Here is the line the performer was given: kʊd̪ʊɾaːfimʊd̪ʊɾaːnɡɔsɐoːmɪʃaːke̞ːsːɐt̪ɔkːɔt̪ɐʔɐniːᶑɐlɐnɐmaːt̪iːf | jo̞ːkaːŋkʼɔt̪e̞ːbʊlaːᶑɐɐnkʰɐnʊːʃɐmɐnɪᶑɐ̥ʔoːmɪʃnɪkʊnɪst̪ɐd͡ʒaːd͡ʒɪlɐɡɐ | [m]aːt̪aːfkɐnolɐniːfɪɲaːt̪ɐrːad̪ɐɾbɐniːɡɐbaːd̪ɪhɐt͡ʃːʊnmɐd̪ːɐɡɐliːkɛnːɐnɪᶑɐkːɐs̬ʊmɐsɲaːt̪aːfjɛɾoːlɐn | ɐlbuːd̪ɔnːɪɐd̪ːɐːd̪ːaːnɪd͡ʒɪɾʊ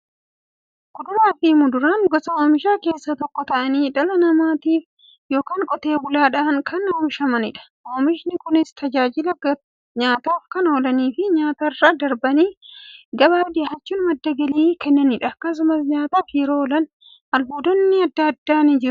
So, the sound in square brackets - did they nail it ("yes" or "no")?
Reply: no